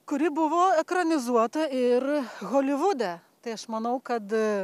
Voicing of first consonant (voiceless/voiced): voiceless